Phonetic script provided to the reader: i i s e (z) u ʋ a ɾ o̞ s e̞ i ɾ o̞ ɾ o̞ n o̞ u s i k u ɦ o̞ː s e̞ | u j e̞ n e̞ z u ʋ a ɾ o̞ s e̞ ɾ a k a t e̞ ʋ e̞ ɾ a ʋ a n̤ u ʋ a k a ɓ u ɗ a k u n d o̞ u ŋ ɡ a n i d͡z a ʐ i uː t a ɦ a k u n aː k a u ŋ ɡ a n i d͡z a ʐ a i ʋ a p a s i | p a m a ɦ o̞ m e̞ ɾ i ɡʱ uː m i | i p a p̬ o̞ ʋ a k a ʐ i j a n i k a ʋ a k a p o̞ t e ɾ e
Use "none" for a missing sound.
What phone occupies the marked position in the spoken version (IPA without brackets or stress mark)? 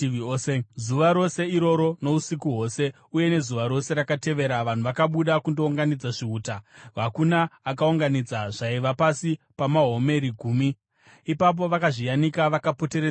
z